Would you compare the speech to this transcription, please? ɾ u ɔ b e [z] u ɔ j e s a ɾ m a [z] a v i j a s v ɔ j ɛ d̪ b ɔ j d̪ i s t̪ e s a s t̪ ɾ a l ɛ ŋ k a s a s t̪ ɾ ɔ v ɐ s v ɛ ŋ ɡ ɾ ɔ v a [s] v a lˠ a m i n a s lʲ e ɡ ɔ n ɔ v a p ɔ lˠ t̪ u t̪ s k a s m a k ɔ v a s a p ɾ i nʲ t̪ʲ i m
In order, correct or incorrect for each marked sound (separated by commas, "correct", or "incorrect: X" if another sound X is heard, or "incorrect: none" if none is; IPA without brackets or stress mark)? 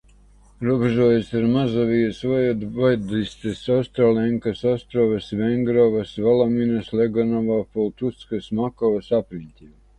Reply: incorrect: ʒ, correct, correct